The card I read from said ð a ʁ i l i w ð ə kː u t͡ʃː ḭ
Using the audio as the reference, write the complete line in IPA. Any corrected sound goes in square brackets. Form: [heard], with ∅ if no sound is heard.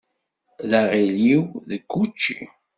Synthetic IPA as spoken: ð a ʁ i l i w ð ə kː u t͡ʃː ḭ